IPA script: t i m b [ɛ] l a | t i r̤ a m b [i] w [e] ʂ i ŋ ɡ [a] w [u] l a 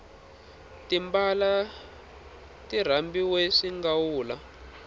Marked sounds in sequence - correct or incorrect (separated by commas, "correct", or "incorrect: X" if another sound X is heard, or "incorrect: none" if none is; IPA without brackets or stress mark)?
incorrect: a, correct, correct, correct, incorrect: uː